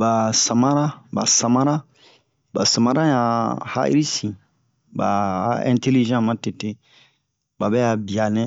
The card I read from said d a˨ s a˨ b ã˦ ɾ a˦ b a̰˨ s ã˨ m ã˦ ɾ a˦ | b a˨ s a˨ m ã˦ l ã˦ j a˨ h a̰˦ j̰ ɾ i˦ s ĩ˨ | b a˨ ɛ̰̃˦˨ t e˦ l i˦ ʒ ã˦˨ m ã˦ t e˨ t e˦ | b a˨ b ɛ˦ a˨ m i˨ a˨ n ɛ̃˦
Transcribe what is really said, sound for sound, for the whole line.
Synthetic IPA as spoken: b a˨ s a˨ m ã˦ ɾ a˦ b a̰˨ s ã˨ m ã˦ ɾ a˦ | b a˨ s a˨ m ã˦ ɾ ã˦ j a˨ h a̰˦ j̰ ɾ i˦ s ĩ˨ | b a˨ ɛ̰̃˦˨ t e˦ l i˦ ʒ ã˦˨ m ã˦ t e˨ t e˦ | b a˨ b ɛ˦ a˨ b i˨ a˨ n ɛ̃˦

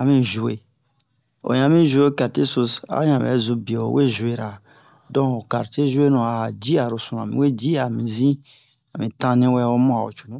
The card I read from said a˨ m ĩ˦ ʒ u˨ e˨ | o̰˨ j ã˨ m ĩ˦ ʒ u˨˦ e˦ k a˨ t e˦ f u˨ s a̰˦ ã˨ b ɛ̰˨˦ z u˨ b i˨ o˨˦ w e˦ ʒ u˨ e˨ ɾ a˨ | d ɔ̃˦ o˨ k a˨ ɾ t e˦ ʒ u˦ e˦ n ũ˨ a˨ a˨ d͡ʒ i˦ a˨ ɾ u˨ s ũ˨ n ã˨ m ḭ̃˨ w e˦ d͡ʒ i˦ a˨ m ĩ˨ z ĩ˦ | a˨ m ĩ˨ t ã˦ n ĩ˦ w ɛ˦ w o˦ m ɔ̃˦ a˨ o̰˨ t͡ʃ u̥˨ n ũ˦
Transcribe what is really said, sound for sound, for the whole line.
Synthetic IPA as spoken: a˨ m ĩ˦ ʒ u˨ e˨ | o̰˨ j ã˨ m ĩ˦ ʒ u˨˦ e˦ k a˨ t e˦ s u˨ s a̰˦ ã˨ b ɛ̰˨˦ z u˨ b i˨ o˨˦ w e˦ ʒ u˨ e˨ ɾ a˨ | d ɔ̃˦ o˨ k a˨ ɾ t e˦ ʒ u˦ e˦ n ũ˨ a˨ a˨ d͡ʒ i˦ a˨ ɾ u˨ s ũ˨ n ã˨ m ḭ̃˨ w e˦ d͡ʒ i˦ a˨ m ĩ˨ z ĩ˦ | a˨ m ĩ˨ t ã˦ n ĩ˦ w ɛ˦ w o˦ m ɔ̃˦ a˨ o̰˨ t͡ʃ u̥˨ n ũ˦

